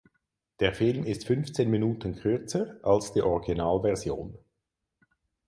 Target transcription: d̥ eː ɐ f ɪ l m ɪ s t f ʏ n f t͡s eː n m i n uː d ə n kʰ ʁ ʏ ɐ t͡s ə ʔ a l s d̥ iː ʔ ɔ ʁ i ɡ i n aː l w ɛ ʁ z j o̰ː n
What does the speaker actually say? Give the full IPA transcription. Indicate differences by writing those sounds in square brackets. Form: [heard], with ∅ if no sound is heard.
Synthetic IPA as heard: d̥ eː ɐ f ɪ l m ɪ s t f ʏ n f t͡s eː n m i n uː [t] ə n kʰ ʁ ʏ ɐ t͡s ə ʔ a l s d̥ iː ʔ ɔ ʁ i ɡ i n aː l [v] ɛ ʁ z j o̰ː n